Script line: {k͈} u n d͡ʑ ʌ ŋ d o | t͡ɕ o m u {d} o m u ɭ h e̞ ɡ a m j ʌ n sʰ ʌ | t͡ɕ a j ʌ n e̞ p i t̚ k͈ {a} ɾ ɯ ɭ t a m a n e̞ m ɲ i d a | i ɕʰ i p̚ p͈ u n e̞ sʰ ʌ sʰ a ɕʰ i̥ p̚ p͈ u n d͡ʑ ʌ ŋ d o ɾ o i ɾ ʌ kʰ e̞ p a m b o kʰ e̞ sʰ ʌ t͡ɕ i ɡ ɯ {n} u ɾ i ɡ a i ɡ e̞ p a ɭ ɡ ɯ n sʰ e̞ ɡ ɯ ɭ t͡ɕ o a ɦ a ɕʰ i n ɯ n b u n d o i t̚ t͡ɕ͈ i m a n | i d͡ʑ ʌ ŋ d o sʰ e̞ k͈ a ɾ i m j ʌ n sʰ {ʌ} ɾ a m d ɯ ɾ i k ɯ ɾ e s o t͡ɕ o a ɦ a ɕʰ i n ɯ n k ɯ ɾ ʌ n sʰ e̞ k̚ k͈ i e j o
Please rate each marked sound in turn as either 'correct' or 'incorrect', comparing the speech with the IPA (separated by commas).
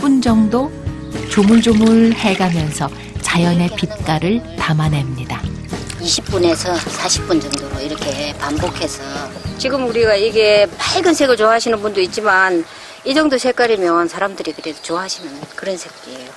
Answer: incorrect, incorrect, correct, incorrect, incorrect